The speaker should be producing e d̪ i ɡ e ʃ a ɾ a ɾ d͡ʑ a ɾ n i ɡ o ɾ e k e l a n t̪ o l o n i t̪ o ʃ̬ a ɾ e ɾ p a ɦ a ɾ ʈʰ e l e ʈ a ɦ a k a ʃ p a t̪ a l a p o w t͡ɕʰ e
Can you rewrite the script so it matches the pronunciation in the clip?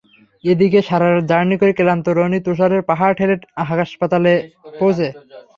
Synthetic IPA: e d̪ i k e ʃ a ɾ a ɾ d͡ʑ a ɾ n i k o ɾ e k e l a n t̪ o ɾ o n i t̪ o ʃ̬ a ɾ e ɾ p a ɦ a ɾ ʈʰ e l e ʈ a ɦ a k a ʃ p a t̪ a l e p o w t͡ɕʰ e